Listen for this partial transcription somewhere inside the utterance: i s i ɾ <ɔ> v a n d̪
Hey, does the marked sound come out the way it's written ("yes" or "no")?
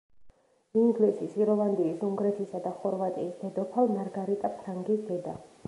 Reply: yes